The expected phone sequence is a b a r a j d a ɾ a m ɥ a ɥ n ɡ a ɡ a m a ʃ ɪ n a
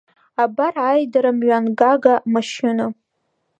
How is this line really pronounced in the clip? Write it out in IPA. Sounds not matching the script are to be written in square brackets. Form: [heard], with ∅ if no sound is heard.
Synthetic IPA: a b a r a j d a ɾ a m ɥ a [∅] n ɡ a ɡ a m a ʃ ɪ n a